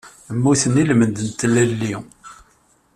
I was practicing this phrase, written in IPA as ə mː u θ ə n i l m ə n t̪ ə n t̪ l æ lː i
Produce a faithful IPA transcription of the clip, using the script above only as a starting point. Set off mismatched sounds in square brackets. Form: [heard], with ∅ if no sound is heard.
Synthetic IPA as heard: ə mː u θ ə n i l m ə n [d̪] ə n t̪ l æ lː i

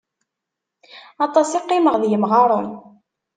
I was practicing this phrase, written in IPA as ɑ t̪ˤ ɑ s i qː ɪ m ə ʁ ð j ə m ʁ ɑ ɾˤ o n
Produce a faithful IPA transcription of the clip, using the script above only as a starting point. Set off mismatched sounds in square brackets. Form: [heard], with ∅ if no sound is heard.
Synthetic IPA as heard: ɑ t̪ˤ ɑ s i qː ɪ m ə ʁ ð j ə m ʁ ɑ ɾˤ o n

